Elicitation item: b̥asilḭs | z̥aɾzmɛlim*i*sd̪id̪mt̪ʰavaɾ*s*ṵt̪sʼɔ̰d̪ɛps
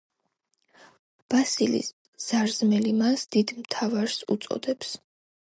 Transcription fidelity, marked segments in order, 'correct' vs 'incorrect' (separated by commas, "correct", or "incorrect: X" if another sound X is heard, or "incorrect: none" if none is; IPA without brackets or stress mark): incorrect: a, correct